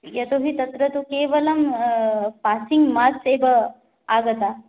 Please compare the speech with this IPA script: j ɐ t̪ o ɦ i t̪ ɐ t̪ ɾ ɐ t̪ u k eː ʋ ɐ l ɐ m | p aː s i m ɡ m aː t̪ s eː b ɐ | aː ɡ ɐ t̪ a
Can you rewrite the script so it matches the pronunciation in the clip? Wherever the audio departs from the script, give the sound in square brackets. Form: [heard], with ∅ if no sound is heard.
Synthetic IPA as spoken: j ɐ t̪ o ɦ i t̪ ɐ t̪ ɾ ɐ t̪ u k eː ʋ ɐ l ɐ m | p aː s i [ŋ] ɡ m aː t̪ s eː b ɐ | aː ɡ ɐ t̪ a